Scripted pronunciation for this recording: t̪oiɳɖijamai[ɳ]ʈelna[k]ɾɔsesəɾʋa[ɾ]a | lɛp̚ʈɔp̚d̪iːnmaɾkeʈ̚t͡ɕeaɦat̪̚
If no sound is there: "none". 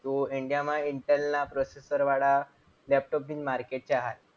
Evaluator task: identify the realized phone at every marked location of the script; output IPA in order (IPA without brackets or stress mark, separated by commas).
ɳ, p, ɽ